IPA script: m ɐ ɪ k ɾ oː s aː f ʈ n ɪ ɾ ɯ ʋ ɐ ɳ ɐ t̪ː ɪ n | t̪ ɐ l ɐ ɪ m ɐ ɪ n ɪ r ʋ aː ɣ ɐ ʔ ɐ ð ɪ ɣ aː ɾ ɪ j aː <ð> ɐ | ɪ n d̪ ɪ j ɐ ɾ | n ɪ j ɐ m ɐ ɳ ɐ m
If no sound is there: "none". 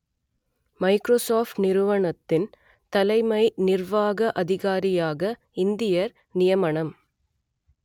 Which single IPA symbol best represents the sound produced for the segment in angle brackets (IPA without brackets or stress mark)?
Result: ɣ